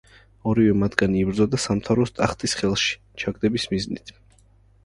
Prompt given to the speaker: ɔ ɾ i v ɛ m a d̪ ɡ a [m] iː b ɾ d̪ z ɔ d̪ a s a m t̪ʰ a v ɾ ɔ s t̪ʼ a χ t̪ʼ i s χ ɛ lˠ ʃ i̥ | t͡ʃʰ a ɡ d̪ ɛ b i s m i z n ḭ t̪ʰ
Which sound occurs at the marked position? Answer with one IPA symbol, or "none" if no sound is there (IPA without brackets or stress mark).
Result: n